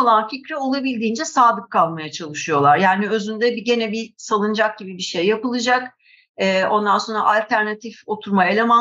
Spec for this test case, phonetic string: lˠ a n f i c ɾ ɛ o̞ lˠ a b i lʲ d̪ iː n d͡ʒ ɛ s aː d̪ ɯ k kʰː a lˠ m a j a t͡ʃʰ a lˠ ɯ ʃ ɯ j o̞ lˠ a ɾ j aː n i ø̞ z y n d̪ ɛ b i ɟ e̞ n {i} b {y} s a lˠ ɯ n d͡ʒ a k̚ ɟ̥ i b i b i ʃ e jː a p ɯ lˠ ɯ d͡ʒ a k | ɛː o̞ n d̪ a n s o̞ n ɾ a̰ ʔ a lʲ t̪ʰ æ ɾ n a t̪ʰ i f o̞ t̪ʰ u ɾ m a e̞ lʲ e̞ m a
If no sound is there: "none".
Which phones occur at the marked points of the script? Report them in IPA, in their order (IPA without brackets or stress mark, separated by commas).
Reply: ɛ, i